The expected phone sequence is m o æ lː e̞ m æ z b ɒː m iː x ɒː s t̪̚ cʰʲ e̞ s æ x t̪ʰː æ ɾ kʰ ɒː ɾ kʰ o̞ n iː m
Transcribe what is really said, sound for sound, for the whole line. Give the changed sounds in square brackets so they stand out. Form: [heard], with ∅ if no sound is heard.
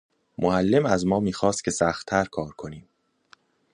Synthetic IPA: m o æ lː e̞ m æ z [m] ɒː m iː x ɒː s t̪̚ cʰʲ e̞ s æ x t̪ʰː æ ɾ kʰ ɒː ɾ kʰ o̞ n iː m